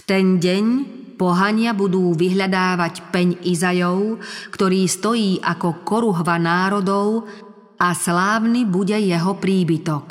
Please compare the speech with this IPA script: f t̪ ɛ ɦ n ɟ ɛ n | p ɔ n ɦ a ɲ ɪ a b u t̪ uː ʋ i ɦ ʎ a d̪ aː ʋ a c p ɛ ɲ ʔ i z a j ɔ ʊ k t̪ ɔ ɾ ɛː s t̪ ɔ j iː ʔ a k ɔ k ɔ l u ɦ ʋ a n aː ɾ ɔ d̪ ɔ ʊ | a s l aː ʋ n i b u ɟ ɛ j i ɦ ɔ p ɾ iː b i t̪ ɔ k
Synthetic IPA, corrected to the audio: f t̪ ɛ n ɟ ɛ ɲ | p ɔ ɦ a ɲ ɪ a b u d̪ uː ʋ i ɦ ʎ a d̪ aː ʋ a c p ɛ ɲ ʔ i z a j ɔ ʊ k t̪ ɔ ɾ iː s t̪ ɔ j iː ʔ a k ɔ k ɔ ɾ u ɦ ʋ a n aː ɾ ɔ d̪ ɔ ʊ | a s l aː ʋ n i b u ɟ ɛ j ɛ ɦ ɔ p ɾ iː b i t̪ ɔ k